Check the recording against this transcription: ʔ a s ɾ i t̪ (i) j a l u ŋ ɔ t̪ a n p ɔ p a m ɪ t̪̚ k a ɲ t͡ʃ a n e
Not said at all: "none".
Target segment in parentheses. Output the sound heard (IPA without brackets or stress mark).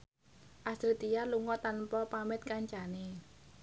i